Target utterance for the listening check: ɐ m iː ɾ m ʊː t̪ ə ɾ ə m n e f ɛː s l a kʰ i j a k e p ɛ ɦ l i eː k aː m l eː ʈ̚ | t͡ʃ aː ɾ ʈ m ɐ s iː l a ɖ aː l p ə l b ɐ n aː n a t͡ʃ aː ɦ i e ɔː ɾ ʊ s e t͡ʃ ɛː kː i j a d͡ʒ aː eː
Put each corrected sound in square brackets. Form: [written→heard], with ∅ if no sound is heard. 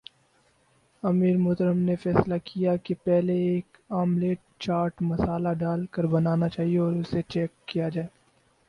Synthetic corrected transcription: ɐ m iː ɾ m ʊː t̪ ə ɾ ə m n e f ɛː s l a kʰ i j a k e p ɛ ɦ l [i→e] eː k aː m l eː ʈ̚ | t͡ʃ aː ɾ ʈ m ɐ s [iː→aː] l a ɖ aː l [p→k] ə [l→ɾ] b ɐ n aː n a t͡ʃ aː ɦ i e ɔː ɾ ʊ s e t͡ʃ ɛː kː i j a d͡ʒ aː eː